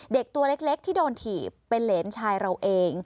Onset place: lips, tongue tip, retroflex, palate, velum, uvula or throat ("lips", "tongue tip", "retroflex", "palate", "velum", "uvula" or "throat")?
tongue tip